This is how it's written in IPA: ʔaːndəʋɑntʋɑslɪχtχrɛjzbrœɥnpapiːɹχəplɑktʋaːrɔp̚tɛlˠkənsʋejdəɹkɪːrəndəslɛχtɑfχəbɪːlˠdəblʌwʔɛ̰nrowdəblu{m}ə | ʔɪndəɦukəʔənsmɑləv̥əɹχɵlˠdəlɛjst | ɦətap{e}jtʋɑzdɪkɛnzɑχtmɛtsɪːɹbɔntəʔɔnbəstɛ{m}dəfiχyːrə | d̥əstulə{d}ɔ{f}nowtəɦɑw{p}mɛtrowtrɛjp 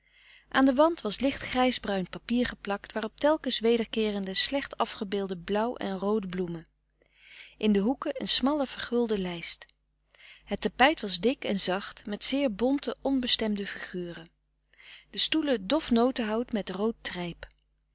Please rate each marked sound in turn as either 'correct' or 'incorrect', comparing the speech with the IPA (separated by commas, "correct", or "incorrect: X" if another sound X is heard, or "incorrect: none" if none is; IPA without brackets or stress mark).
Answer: correct, incorrect: ɛ, correct, correct, correct, incorrect: t